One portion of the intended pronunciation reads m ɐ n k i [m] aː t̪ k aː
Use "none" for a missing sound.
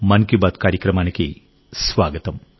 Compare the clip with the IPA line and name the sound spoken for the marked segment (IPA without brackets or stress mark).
b